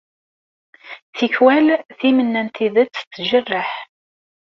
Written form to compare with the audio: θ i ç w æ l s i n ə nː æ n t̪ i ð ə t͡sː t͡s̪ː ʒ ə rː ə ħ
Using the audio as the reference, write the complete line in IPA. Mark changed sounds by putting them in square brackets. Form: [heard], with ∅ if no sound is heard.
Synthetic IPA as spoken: θ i ç w æ l [θ] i [m] ə nː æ n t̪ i ð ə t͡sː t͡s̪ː ʒ ə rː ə ħ